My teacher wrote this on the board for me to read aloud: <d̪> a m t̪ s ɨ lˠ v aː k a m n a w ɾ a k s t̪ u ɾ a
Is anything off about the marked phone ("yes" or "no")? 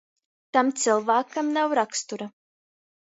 yes